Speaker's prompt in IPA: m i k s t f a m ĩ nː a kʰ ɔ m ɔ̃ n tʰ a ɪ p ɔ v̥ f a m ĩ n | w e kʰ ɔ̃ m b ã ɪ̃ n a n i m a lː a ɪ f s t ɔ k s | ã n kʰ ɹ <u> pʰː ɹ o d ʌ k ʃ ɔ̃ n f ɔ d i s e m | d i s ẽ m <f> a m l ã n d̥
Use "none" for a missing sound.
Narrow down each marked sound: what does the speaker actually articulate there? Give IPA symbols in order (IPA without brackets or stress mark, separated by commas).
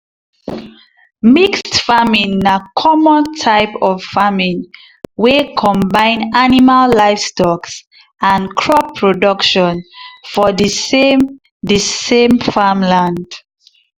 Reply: ɔ, f